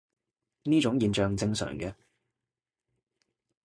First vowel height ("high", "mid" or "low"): high